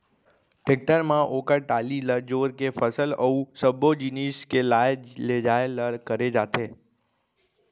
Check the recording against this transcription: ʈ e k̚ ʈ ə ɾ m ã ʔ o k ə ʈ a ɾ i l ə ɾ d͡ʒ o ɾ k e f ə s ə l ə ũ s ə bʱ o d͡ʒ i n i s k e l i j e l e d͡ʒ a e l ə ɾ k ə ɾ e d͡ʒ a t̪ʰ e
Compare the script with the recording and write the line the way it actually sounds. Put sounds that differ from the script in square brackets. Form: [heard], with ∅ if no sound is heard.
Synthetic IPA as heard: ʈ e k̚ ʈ ə ɾ m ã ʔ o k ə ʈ a [l] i l ə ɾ d͡ʒ o ɾ k e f ə s ə l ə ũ s ə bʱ o d͡ʒ i n i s k e l [a] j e l e d͡ʒ a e l ə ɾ k ə ɾ e d͡ʒ a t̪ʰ e